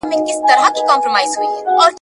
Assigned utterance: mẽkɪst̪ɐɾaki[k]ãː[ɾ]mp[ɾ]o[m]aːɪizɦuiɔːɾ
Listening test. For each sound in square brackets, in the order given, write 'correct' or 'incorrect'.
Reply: correct, incorrect: none, correct, correct

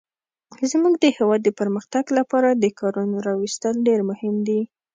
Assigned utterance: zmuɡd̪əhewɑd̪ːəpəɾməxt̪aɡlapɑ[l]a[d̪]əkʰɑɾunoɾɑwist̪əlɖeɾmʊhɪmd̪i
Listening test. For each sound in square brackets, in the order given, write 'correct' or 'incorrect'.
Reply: incorrect: ɾ, correct

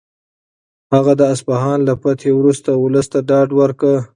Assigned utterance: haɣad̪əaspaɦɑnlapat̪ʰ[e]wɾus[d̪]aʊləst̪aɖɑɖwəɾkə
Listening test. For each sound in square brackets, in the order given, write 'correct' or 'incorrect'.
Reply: correct, incorrect: t̪

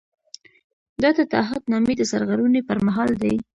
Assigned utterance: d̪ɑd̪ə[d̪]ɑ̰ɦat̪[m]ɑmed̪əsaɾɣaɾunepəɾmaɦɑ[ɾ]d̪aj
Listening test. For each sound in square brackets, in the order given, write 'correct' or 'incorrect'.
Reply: incorrect: t̪, incorrect: n, incorrect: l

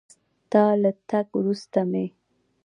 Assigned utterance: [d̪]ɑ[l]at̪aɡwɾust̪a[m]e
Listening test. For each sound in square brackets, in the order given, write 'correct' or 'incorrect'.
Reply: incorrect: t̪, correct, correct

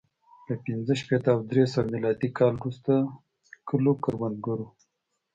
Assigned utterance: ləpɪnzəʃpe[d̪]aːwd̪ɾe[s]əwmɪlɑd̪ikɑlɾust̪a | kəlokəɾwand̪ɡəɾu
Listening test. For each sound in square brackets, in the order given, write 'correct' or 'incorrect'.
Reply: incorrect: t̪, correct

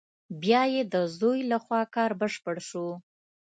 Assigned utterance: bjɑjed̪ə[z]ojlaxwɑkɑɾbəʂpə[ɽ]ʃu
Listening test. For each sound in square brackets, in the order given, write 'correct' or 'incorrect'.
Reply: correct, correct

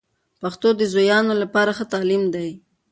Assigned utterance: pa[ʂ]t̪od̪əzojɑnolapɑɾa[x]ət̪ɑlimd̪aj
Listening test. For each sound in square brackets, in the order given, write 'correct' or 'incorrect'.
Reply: incorrect: x, correct

